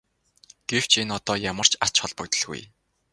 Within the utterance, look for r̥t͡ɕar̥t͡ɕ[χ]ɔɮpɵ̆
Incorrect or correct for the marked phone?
correct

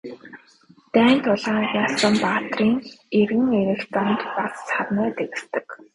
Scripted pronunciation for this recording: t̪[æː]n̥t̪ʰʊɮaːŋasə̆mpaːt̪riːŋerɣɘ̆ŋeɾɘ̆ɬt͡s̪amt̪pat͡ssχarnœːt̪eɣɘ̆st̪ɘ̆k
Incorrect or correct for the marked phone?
correct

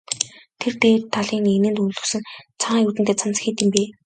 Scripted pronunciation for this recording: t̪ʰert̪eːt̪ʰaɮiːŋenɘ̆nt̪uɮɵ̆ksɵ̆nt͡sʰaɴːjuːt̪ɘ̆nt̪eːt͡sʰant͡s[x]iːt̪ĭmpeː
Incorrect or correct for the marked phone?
correct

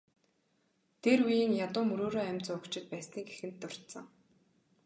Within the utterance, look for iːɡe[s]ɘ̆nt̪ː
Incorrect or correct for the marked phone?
incorrect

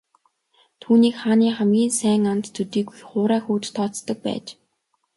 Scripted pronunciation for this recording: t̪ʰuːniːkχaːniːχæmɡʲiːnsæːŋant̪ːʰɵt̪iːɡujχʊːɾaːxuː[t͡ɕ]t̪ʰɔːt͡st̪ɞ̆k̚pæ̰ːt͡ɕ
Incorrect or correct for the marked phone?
correct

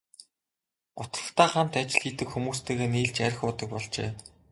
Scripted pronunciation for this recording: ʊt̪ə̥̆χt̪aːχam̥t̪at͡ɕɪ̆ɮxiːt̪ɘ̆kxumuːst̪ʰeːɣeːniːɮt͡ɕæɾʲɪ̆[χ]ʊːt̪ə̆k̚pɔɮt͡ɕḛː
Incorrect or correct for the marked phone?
incorrect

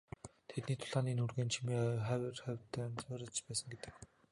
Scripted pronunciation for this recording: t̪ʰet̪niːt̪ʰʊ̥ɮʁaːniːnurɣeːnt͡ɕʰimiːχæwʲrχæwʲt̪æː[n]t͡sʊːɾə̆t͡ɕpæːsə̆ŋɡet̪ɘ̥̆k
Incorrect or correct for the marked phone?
correct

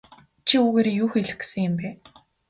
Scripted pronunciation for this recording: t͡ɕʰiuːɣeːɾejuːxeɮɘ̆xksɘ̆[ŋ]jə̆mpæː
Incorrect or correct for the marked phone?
correct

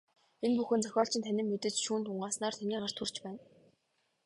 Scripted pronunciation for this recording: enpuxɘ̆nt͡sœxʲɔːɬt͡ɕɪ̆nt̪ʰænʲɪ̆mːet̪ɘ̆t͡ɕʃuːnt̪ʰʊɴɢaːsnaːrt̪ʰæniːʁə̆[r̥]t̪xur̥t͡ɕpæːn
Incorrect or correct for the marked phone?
correct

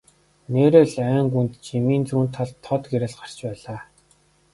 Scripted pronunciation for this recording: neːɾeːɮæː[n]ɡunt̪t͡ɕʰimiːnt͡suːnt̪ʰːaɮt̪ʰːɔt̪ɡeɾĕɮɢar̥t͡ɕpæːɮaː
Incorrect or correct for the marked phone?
incorrect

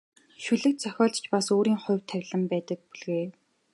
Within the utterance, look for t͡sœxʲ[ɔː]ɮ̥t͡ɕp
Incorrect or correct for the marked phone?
correct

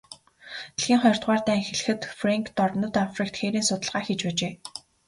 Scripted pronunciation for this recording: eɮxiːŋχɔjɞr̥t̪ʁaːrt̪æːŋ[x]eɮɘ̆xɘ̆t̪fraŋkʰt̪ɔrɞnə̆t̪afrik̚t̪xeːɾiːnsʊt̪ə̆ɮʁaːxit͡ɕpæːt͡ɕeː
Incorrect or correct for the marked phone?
correct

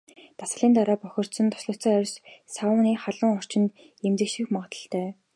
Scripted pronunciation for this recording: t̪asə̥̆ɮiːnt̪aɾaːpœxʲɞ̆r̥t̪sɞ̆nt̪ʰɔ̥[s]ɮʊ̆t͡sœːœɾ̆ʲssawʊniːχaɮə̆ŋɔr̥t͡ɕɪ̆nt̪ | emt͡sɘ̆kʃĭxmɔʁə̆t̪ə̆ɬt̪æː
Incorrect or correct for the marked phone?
correct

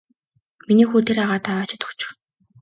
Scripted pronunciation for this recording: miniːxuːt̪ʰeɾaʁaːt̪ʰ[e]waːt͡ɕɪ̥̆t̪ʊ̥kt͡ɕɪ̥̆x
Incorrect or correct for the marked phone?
incorrect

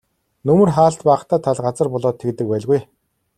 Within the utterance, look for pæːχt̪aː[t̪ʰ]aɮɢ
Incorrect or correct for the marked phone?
correct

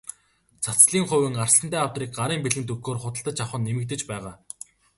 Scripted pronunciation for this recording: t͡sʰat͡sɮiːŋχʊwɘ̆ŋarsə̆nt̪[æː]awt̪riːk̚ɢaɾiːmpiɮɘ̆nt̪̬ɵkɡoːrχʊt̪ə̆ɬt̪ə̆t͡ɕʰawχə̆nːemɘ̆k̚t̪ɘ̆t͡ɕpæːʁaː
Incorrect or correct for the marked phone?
correct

